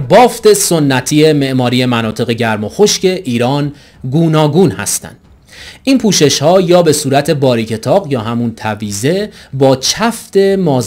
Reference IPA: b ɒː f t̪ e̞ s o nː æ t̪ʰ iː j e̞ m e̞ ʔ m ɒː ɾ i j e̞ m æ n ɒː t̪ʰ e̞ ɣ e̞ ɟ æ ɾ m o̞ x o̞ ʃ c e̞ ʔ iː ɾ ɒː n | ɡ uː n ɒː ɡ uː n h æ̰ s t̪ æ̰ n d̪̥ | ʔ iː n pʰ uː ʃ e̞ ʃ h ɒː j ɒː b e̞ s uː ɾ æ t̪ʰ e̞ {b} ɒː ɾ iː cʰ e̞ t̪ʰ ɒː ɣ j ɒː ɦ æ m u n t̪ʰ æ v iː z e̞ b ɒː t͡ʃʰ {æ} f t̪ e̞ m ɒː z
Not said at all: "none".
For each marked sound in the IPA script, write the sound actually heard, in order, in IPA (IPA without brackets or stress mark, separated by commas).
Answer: b, æ